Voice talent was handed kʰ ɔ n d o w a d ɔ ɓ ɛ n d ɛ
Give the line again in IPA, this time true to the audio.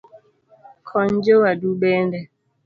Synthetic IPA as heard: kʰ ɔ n d͡ʒ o w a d u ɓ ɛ n d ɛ